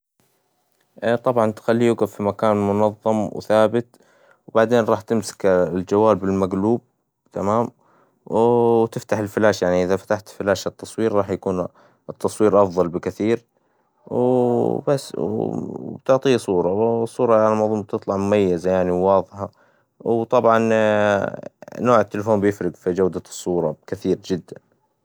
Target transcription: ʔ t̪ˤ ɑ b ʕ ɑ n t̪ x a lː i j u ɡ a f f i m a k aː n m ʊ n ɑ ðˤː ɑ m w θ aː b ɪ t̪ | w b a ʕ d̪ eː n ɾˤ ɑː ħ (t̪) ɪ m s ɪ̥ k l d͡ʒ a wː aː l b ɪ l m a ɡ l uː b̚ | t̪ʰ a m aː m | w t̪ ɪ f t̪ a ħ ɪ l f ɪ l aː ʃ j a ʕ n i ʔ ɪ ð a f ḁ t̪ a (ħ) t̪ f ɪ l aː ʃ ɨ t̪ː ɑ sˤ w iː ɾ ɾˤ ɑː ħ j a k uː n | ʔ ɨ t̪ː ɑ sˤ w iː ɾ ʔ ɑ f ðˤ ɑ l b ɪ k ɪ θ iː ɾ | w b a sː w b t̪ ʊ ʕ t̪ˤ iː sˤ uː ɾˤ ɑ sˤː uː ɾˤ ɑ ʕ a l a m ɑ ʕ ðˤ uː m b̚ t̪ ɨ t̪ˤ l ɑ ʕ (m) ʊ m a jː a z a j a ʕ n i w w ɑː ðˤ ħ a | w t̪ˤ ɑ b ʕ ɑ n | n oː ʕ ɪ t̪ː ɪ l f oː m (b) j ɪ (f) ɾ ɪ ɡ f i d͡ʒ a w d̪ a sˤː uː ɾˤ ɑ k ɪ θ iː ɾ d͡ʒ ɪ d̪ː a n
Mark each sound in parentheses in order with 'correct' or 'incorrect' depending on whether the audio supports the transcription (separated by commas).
correct, correct, correct, correct, correct